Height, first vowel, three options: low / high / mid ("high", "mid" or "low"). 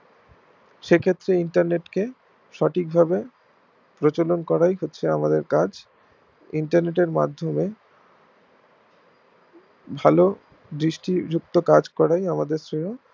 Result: mid